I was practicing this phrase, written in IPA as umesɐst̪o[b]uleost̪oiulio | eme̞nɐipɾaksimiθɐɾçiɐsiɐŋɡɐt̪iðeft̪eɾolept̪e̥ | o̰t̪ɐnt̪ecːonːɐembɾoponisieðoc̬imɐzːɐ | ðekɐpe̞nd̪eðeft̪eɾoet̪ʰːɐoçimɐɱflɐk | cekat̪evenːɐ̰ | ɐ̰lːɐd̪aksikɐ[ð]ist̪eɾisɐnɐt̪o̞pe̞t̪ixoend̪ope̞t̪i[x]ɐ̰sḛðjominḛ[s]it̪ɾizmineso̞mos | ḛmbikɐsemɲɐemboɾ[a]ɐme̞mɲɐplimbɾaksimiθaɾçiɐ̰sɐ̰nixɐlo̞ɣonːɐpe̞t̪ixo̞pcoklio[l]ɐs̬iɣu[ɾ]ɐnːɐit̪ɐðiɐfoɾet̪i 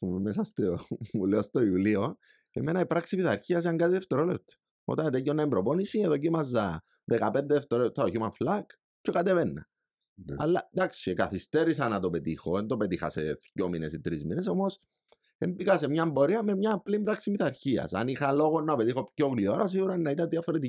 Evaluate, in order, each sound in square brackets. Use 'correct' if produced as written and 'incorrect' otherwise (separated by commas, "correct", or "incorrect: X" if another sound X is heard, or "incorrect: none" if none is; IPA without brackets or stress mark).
incorrect: m, incorrect: θ, correct, correct, incorrect: i, incorrect: ɾ, correct